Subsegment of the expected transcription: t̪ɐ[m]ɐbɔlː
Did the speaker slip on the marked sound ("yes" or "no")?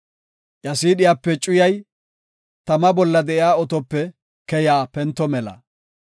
no